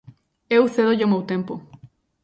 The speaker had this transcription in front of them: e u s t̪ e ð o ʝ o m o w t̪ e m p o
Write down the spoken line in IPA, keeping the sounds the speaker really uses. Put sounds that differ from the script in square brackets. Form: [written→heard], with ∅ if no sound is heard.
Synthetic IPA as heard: e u s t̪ e ð o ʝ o m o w t̪ e m p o